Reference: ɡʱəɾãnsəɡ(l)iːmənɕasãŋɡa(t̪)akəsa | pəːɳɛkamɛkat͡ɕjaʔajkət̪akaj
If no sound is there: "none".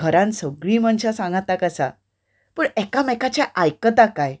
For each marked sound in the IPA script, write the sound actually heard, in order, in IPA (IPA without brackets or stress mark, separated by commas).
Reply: ɭ, t̪